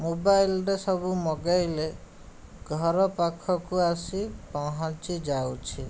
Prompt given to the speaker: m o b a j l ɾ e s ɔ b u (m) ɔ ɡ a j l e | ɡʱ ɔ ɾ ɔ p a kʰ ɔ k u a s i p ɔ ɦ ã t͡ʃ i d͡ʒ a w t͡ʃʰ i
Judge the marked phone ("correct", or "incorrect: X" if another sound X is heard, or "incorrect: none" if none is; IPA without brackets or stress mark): correct